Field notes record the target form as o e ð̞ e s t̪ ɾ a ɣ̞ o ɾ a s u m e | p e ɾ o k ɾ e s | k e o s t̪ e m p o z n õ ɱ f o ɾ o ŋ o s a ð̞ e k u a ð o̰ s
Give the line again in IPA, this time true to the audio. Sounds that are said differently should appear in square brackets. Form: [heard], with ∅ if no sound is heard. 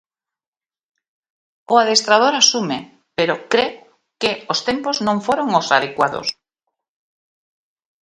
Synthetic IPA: o [a] ð̞ e s t̪ ɾ a [ð̞] o ɾ a s u m e | p e ɾ o k ɾ e [∅] | k e o s t̪ e m p o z n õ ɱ f o ɾ o ŋ o s a ð̞ e k [w] a ð o̰ s